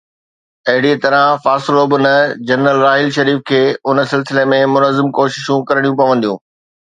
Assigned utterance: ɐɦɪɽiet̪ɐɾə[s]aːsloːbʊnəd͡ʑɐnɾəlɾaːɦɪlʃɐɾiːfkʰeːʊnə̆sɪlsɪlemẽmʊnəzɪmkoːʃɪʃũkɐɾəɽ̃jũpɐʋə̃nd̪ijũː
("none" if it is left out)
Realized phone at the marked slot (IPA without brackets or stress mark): f